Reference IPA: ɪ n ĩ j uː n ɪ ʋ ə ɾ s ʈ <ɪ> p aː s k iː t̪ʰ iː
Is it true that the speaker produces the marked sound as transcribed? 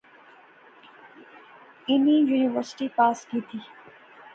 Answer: no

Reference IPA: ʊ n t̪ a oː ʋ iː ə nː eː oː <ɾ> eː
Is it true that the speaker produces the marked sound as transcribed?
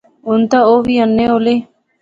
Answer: no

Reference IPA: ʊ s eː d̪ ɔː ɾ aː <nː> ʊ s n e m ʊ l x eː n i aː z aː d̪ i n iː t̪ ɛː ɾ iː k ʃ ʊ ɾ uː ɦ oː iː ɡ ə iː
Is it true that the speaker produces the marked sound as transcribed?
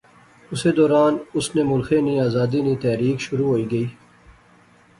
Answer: no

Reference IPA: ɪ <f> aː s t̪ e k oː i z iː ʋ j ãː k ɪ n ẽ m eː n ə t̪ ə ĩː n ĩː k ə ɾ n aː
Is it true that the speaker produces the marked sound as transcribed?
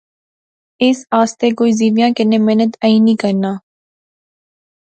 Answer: no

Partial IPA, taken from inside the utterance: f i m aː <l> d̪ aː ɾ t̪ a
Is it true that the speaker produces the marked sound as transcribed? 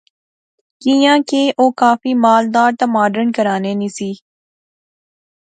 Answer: yes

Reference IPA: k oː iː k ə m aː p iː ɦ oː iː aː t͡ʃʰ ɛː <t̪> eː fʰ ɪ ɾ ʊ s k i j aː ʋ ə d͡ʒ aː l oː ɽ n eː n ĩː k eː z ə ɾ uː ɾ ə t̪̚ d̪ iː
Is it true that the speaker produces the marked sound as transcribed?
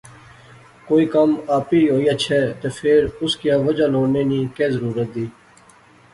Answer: yes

